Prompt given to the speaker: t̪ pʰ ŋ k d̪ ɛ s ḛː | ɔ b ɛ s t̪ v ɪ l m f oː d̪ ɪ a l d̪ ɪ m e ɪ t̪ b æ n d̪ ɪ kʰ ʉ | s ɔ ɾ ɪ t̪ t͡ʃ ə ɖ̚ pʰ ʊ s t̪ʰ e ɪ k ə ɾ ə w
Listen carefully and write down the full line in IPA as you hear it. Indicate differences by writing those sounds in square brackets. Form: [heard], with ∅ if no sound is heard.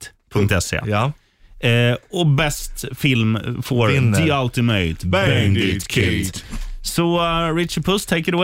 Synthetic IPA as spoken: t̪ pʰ ŋ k [t̪] ɛ s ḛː | ɔ b ɛ s t̪ [f] ɪ l m f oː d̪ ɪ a l [t̪] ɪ m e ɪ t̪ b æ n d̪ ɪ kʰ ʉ | s ɔ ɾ ɪ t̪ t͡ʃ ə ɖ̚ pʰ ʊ s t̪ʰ e ɪ k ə ɾ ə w